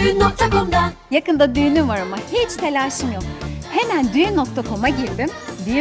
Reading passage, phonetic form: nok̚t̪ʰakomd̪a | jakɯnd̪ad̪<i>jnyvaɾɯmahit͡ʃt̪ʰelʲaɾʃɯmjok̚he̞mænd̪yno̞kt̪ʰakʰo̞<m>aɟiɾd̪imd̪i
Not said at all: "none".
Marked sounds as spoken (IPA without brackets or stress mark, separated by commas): y, m